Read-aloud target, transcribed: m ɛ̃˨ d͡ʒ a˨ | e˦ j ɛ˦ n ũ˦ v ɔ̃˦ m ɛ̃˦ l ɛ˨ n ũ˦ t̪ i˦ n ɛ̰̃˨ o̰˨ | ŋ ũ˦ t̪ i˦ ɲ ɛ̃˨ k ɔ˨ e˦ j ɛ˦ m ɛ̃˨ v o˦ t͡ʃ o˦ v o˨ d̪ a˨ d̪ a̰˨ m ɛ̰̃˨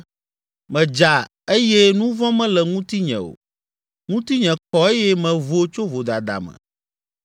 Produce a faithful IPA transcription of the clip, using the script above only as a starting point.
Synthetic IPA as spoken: m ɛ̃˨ d͡ʒ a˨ | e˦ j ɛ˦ n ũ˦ v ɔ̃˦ m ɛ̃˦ l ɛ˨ ŋ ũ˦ t̪ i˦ ɲ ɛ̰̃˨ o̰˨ | ŋ ũ˦ t̪ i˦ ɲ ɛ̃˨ k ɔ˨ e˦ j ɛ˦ m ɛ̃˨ v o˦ t͡ʃ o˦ v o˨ d̪ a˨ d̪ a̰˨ m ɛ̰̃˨